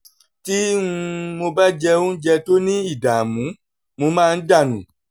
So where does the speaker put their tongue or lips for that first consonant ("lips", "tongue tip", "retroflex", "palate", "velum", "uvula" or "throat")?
tongue tip